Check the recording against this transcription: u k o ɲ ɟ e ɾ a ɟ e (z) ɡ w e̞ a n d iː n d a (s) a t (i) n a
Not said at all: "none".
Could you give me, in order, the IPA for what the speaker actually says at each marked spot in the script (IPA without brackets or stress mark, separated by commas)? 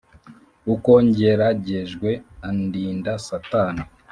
ʒ, s, a